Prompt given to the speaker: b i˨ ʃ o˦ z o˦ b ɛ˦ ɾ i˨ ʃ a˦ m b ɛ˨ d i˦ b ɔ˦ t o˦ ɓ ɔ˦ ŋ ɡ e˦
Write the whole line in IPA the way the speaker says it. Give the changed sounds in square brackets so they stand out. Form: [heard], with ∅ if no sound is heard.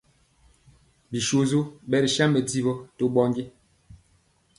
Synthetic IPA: b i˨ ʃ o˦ z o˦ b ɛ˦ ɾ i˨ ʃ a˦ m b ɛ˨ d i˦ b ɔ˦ t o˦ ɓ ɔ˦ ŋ ɡ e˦